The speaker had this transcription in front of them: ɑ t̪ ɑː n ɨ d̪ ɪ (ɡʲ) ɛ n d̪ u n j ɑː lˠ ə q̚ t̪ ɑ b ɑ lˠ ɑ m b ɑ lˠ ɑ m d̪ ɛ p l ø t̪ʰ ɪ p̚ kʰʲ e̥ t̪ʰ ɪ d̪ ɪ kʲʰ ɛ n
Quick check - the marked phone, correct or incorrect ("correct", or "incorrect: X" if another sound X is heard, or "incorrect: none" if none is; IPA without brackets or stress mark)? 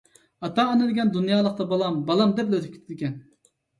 correct